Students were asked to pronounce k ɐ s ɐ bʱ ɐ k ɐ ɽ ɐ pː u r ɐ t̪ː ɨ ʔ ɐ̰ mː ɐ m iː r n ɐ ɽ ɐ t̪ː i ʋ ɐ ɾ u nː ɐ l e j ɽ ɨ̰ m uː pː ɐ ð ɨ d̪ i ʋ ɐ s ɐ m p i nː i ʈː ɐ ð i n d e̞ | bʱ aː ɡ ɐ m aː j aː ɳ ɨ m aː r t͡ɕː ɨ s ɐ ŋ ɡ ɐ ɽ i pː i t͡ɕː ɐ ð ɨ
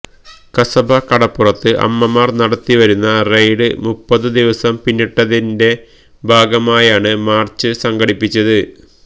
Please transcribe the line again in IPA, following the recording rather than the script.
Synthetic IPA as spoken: k ɐ s ɐ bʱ ɐ k ɐ ɽ ɐ pː u r ɐ t̪ː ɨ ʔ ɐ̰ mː ɐ m aː r n ɐ ɽ ɐ t̪ː i ʋ ɐ ɾ u nː ɐ r e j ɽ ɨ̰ m u pː ɐ ð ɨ d̪ i ʋ ɐ s ɐ m p i nː i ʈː ɐ ð i n d e̞ | bʱ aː ɡ ɐ m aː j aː ɳ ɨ m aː r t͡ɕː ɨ s ɐ ŋ ɡ ɐ ɽ i pː i t͡ɕː ɐ ð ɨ

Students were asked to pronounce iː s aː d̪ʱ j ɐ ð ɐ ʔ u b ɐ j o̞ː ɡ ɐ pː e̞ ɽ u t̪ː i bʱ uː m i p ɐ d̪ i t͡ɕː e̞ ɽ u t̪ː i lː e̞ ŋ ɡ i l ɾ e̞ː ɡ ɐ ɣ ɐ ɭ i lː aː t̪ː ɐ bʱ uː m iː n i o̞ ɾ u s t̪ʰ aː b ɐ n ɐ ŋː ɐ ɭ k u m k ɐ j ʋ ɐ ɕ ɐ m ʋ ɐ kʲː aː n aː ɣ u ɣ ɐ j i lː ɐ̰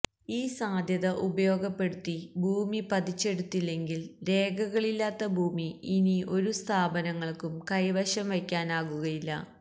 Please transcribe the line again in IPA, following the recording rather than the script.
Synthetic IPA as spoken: iː s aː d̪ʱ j ɐ ð ɐ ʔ u b ɐ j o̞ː ɡ ɐ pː e̞ ɽ u t̪ː i bʱ uː m i p ɐ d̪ i t͡ɕː e̞ ɽ u t̪ː i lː e̞ ŋ ɡ i l ɾ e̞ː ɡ ɐ ɣ ɐ ɭ i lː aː t̪ː ɐ bʱ uː m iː n i o̞ ɾ u s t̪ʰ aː b ɐ n ɐ ŋː ɐ ɭ k u m k ɐ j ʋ ɐ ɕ ɐ m ʋ ɐ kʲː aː n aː ɣ u ɣ ɐ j i lː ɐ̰

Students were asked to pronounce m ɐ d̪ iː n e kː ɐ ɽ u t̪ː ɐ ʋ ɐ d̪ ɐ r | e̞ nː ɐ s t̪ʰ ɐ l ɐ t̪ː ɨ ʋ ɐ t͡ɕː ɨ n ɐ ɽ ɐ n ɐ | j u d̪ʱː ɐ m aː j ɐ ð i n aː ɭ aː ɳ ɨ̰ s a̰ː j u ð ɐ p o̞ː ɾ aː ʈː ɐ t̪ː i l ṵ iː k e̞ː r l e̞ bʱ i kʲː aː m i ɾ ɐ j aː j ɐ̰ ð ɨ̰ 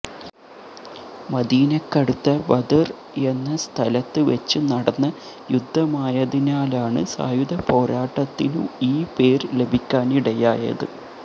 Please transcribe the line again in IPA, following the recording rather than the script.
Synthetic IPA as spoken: m ɐ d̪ iː n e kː ɐ ɽ u t̪ː ɐ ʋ ɐ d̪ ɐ r | e̞ nː ɐ s t̪ʰ ɐ l ɐ t̪ː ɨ ʋ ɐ t͡ɕː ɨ n ɐ ɽ ɐ nː ɐ | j u d̪ʱː ɐ m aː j ɐ ð i n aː l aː ɳ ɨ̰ s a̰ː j u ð ɐ p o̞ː ɾ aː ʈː ɐ t̪ː i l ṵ iː p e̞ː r l e̞ bʱ i kʲː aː n i ɽ ɐ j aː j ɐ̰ ð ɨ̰

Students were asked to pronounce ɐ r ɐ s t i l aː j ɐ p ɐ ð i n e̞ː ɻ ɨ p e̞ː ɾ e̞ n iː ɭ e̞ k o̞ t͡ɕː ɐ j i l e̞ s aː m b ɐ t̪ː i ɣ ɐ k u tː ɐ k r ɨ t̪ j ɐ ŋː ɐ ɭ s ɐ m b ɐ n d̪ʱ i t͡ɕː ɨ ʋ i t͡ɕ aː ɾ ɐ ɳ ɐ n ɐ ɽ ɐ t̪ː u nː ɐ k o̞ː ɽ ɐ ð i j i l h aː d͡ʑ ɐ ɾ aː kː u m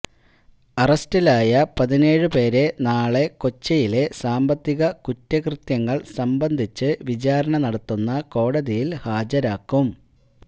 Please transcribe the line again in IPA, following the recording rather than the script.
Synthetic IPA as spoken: ɐ r ɐ s t i l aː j ɐ p ɐ ð i n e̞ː ɻ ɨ p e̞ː ɾ e̞ n aː ɭ e̞ k o̞ t͡ɕː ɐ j i l e̞ s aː m b ɐ t̪ː i ɣ ɐ k u tː ɐ k r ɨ t̪ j ɐ ŋː ɐ ɭ s ɐ m b ɐ n d̪ʱ i t͡ɕː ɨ ʋ i t͡ɕ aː ɾ ɐ ɳ ɐ n ɐ ɽ ɐ t̪ː u nː ɐ k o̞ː ɽ ɐ ð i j i l h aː d͡ʑ ɐ ɾ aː kː u m

